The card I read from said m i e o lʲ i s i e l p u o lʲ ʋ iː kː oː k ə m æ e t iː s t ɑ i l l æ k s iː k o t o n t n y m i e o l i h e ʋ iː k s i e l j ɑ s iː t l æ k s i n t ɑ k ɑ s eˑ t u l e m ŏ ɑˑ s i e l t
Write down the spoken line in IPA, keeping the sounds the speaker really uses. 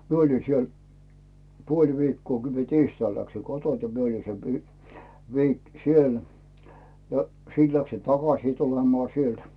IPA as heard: m i e o lʲ i s i e l p u o lʲ ʋ iː kː oː k ə m i e t iː s t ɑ i l l æ k s i k o t o n t n i m i e o l i s e ʋ iː k s i e l j ɑ s iː t l æ k s i n t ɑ k ɑ s iˑ t u l e m ŏ ɑˑ s i e l t

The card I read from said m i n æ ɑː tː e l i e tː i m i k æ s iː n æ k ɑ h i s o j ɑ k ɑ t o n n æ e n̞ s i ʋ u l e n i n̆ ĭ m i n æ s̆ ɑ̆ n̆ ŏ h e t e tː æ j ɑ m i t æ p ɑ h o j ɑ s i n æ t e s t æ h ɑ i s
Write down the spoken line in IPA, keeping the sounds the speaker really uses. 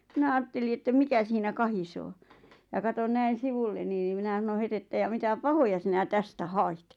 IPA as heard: m i n æ ɑː tː e l i e tː æ m i k æ s iː n æ k ɑ h i s oː j ɑ k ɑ t o n n æ i n̞ s i ʋ u lː e n i n̆ ĭ m i n æ s̆ ɑ̆ n̆ ŏ h e t e tː æ j ɑ m i t æ p ɑ h o j ɑ s i n æ t æ s t æ h ɑ i t

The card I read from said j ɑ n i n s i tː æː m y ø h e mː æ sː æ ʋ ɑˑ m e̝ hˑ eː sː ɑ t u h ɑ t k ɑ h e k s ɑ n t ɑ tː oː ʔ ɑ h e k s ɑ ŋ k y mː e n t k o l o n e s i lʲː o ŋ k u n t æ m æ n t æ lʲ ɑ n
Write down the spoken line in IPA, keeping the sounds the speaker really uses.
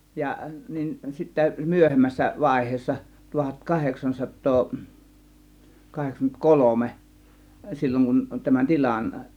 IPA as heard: j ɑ n i n s i tː æ m y ø h e mː æ sː æ ʋ ɑˑ e̝ hˑ eː sː ɑ t u h ɑ t k ɑ h e k s ɑ n s ɑ tː oː k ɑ h e k s ɑ ŋ k y mː e n t k o l o m e s i lʲː o ŋ k u n t æ m æ n t i lʲ ɑ n

